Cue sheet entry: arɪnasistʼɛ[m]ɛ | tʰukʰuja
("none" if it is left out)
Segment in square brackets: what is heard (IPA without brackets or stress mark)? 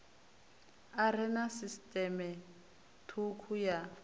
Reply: m